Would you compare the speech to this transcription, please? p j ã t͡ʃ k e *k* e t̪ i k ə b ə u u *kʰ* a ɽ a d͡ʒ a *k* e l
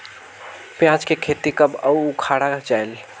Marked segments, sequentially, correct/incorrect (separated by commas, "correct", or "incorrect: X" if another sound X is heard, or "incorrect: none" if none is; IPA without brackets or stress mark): incorrect: kʰ, correct, incorrect: none